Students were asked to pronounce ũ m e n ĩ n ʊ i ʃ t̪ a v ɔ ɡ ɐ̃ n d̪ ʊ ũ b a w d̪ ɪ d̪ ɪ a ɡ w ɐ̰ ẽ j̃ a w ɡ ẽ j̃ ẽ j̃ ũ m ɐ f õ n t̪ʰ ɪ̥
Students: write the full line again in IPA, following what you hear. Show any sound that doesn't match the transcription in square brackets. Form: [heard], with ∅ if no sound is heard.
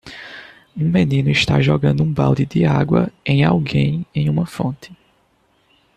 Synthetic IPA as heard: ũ m e n ĩ n ʊ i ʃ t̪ a [ʒ] ɔ ɡ ɐ̃ n d̪ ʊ ũ b a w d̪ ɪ d̪ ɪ a ɡ w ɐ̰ ẽ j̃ a w ɡ ẽ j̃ ẽ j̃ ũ m ɐ f õ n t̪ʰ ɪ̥